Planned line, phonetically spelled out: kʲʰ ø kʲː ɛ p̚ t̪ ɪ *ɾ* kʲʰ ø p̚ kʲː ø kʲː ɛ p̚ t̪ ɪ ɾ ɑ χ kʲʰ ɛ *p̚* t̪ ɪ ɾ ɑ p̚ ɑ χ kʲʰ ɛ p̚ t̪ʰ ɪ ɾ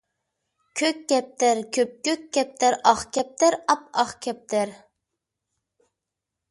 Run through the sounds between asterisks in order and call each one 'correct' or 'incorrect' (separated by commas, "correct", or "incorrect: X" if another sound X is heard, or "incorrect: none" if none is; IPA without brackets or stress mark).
correct, correct